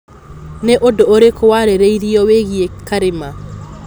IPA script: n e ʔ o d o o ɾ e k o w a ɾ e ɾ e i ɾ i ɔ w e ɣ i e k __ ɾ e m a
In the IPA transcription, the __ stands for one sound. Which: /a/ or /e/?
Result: a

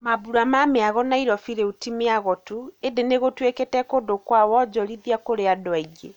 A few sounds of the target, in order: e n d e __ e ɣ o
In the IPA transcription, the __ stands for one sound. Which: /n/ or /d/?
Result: n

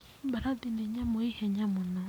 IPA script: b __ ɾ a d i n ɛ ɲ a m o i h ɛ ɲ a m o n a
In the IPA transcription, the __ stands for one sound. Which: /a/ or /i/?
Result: a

